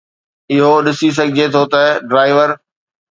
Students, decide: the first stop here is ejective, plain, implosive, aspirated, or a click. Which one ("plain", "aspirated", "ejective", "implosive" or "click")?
implosive